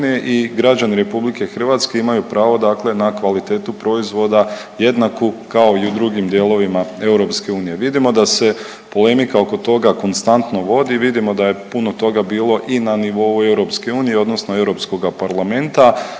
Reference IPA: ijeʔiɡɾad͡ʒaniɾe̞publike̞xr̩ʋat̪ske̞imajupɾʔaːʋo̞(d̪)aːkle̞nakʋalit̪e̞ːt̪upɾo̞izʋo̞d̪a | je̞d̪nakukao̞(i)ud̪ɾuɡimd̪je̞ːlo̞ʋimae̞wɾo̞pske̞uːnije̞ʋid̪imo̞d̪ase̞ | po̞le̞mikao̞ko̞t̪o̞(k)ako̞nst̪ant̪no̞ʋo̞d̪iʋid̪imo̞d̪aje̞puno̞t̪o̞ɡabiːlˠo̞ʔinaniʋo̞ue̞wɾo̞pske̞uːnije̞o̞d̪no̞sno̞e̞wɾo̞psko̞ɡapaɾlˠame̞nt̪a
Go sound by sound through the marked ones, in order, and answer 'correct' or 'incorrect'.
correct, correct, incorrect

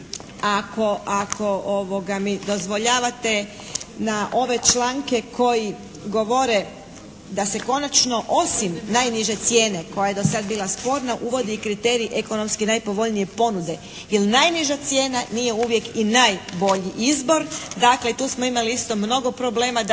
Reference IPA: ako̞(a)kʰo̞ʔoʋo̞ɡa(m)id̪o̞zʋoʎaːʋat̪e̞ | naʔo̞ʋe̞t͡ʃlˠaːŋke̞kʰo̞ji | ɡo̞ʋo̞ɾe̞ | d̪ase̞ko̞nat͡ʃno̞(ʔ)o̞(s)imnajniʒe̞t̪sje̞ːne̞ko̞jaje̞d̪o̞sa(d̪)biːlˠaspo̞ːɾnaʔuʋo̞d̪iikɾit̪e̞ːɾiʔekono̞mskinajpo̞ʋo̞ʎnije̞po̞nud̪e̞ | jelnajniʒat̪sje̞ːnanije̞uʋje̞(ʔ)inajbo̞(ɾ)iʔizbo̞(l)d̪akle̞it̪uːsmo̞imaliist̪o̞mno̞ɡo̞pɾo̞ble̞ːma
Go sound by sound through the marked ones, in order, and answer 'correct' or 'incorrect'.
correct, correct, correct, correct, correct, incorrect, incorrect, incorrect

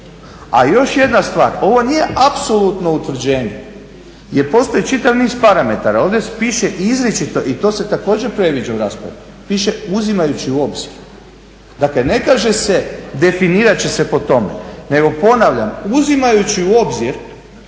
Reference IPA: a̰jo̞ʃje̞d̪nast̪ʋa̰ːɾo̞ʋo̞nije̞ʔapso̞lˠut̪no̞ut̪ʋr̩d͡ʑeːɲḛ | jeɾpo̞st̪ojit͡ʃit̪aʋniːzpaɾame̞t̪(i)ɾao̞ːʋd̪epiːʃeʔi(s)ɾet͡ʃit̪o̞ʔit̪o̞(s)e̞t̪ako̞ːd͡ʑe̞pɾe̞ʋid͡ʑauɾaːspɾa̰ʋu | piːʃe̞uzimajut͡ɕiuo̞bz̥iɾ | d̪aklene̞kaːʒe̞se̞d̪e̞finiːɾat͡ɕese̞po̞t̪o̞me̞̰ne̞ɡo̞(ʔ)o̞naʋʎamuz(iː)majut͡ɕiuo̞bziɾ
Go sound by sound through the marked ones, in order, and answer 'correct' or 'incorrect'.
incorrect, incorrect, correct, incorrect, incorrect

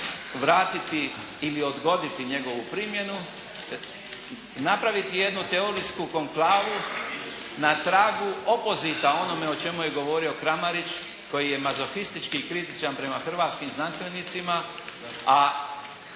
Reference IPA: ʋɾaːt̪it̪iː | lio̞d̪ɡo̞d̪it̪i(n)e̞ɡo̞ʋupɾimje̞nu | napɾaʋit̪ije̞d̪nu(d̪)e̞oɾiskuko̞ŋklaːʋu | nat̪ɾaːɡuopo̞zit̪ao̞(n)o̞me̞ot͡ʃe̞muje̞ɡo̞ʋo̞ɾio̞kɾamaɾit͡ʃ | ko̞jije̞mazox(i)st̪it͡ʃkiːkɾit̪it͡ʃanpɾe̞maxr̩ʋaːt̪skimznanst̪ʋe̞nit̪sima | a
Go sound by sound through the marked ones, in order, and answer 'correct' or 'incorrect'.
incorrect, incorrect, correct, correct

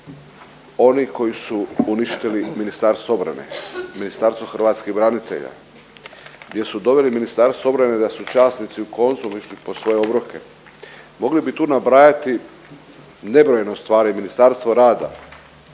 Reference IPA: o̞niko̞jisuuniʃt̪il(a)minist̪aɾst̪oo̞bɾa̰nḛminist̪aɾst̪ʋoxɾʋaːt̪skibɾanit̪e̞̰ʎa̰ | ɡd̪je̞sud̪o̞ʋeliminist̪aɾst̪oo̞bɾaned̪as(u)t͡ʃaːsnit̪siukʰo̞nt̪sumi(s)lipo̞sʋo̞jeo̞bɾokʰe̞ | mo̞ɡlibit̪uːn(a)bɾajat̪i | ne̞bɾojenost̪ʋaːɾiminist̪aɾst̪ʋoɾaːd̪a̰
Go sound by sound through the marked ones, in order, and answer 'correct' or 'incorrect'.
incorrect, correct, incorrect, correct

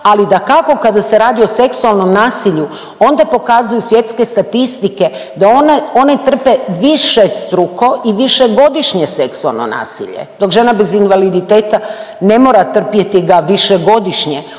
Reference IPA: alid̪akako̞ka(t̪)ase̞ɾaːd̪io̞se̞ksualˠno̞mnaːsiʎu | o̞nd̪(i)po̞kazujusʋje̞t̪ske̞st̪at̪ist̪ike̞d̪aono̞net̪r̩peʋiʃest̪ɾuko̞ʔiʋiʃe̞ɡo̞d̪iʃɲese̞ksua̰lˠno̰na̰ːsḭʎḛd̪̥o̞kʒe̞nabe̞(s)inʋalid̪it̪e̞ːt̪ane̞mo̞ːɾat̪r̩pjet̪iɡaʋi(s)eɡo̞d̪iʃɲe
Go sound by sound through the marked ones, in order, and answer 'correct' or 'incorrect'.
incorrect, incorrect, incorrect, incorrect

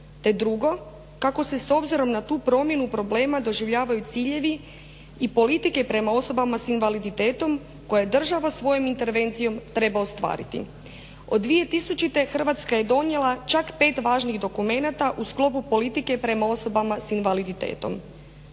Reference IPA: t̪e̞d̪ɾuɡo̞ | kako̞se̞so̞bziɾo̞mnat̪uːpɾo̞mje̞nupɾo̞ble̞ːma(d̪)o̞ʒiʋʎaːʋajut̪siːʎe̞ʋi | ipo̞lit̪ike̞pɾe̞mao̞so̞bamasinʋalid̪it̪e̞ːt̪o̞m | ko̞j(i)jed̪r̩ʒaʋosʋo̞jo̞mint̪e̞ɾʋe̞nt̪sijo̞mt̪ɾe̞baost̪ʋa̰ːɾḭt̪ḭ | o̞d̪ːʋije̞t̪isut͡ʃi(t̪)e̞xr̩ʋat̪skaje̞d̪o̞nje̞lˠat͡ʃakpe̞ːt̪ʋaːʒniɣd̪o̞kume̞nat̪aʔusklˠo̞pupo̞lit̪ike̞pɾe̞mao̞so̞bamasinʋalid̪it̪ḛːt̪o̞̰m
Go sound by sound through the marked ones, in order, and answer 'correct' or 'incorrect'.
correct, incorrect, correct

